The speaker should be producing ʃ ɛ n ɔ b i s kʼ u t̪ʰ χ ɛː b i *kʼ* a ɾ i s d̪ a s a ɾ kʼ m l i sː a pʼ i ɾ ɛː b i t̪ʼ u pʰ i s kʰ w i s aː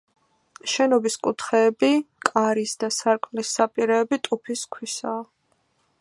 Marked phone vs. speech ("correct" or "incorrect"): correct